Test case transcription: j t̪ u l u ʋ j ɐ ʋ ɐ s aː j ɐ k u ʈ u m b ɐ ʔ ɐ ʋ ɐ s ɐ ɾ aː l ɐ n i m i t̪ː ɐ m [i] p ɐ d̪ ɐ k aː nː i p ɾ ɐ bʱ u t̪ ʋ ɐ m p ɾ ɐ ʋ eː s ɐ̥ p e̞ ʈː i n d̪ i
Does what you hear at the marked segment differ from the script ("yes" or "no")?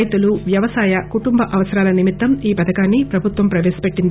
yes